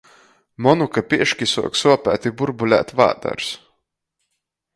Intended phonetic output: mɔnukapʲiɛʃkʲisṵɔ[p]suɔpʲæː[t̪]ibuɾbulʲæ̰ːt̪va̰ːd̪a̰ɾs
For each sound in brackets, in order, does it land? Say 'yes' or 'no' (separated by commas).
no, yes